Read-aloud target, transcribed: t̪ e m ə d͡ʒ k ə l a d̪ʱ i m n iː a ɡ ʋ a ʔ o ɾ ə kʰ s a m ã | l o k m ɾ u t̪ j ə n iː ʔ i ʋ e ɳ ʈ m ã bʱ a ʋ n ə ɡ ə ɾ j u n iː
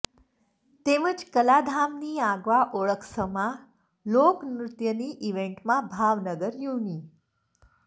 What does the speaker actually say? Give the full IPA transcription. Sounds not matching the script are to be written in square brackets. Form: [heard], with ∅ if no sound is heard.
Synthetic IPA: t̪ e m ə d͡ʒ k ə l a d̪ʱ [a] m n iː a ɡ ʋ a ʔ o [ɭ] ə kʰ s [ə] m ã | l o k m ɾ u t̪ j ə n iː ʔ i ʋ e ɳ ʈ m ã bʱ a ʋ n ə ɡ ə ɾ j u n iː